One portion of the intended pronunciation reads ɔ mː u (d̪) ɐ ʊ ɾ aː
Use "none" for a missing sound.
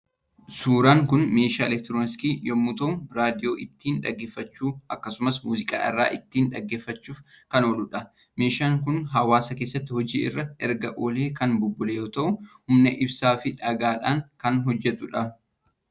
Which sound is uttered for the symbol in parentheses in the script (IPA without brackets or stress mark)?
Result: t̪